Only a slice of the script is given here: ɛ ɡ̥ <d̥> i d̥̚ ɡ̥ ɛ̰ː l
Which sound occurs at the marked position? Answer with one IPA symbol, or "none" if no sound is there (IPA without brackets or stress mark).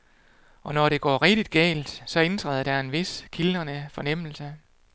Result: d̥